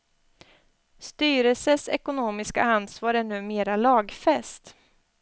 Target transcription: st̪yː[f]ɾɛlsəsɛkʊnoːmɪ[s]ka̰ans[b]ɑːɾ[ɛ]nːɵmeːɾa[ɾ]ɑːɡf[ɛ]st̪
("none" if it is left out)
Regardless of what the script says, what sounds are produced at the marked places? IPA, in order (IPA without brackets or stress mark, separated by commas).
none, s, v, ɛ, l, ɛ